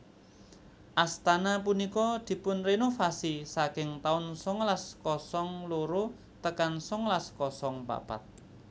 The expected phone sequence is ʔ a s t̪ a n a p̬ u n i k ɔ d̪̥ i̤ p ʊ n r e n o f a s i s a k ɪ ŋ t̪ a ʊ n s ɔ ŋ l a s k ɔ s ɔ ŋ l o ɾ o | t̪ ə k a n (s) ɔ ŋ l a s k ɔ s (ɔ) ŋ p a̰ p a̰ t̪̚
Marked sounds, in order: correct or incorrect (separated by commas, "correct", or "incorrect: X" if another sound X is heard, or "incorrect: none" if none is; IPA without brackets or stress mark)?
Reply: correct, correct